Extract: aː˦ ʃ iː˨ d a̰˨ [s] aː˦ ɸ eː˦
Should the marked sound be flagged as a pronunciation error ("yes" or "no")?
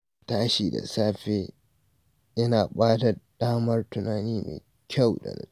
no